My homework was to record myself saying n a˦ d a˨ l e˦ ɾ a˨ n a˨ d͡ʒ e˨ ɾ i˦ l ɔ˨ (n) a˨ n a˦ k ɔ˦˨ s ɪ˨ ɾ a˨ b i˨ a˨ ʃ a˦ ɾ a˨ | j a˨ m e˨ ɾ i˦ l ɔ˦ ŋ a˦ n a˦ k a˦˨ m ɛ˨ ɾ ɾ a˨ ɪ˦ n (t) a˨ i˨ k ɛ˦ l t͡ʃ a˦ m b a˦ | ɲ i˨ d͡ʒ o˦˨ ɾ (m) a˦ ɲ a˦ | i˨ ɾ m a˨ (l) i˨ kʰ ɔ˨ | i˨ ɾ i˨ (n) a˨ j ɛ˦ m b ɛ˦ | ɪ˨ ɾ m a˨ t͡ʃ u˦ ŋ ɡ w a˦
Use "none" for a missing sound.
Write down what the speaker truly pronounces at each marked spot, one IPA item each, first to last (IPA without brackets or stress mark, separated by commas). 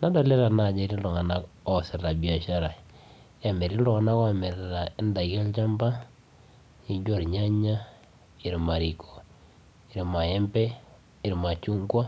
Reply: ŋ, d, ɲ, ɾ, m